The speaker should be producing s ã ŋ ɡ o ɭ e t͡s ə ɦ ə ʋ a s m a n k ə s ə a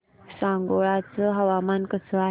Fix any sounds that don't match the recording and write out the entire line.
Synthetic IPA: s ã ŋ ɡ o ɭ a t͡s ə ɦ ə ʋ a m a n k ə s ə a